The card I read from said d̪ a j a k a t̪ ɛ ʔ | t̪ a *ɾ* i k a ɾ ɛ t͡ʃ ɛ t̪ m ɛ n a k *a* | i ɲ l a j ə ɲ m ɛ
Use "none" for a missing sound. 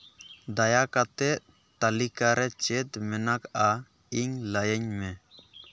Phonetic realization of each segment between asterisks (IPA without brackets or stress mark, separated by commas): l, a